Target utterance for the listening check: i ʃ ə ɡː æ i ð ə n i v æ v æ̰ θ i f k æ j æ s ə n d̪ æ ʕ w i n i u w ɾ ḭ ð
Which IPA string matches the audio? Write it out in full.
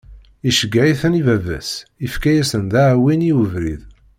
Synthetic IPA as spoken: i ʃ ə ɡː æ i θ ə n i v æ v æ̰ s i f k æ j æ s ə n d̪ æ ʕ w i n i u v ɾ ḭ ð